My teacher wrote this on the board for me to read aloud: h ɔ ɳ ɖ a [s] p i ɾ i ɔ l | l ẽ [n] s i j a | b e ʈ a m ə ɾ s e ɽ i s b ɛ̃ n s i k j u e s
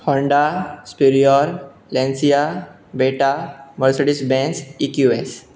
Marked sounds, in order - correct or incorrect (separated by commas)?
correct, correct